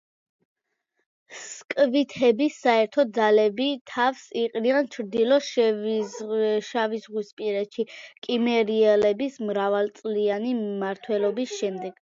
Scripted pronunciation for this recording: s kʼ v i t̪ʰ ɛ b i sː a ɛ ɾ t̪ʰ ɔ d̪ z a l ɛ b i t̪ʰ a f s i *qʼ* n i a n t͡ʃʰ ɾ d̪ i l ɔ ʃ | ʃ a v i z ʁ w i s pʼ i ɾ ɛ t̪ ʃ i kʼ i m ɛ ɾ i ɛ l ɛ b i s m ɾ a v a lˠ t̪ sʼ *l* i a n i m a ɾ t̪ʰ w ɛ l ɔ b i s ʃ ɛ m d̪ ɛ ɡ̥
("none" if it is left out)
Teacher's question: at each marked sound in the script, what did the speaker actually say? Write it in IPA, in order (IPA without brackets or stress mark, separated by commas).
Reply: qʼ, l